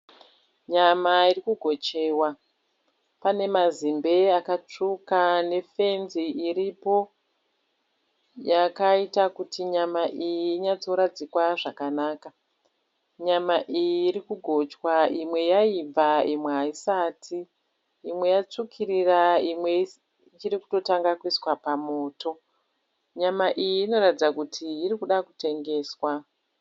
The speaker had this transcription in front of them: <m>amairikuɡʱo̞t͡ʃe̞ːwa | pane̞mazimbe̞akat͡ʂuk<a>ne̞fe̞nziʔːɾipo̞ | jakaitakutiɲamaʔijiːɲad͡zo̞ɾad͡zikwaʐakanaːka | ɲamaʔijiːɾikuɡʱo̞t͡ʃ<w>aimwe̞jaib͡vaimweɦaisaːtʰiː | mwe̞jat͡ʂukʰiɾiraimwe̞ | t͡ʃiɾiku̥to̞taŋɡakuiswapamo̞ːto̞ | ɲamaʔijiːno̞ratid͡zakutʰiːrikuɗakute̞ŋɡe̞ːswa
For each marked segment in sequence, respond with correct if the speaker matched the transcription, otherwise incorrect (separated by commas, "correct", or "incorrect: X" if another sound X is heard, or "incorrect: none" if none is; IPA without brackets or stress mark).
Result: incorrect: ɲ, correct, correct